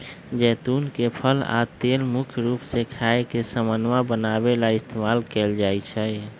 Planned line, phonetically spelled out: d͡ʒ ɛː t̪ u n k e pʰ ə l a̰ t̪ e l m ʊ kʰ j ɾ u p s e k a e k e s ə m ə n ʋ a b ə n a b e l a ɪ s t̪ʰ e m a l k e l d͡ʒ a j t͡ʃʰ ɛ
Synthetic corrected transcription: d͡ʒ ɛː t̪ u n k e pʰ ə l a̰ t̪ e l m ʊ kʰ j ɾ u p s e kʰ a e k e s ə m ə n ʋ a b ə n a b e l a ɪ s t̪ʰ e m a l k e l d͡ʒ a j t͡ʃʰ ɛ